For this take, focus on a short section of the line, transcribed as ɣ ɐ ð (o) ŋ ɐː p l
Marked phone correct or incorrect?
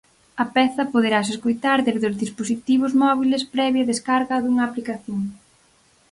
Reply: incorrect